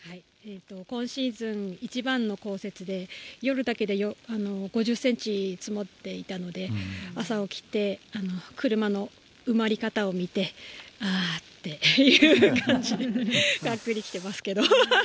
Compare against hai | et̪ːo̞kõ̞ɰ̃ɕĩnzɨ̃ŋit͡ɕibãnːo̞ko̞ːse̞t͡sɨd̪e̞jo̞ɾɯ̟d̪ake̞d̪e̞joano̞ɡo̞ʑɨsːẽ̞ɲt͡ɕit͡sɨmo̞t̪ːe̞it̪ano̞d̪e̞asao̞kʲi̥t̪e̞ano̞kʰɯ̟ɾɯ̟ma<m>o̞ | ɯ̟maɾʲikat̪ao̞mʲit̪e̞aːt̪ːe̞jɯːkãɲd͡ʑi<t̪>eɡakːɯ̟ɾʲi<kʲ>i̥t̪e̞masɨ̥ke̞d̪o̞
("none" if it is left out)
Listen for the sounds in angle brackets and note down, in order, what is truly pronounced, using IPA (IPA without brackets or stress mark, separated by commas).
n, d̪, kʲ